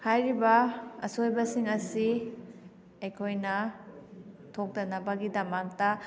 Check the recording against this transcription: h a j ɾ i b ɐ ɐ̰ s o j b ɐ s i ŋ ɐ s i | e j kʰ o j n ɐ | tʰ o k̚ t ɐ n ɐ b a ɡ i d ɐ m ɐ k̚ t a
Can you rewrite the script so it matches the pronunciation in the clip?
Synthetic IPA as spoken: h a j ɾ i b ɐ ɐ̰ s o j b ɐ s i ŋ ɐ s i | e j kʰ o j n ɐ | tʰ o k̚ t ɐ n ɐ b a ɡ i d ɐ m a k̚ t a